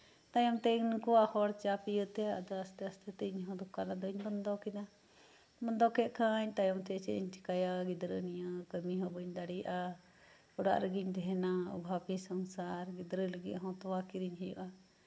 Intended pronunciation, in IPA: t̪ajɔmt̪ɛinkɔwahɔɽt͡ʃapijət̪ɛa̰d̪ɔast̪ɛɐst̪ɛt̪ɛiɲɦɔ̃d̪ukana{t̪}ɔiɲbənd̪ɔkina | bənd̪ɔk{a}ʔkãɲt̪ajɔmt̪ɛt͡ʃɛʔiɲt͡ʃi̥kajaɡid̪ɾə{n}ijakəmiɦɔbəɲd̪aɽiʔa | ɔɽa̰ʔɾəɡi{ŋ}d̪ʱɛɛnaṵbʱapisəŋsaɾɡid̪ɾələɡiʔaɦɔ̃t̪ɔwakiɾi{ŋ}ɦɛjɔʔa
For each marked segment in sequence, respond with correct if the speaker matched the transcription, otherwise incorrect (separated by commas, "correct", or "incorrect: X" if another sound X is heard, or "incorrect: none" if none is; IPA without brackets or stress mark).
incorrect: d̪, incorrect: ɛ, correct, incorrect: ɲ, incorrect: ɲ